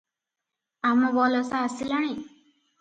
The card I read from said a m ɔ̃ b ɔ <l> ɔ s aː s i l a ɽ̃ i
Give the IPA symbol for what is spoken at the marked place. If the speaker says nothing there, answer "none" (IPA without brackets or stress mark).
l